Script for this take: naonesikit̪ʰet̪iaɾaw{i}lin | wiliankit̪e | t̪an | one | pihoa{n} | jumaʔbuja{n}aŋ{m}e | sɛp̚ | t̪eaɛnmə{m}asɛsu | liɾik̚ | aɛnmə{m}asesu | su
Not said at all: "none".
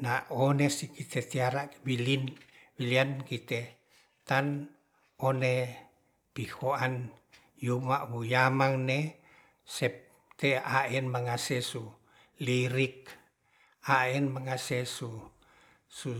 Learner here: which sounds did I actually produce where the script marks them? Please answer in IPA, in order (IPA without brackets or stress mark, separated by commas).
i, n, m, n, ŋ, ŋ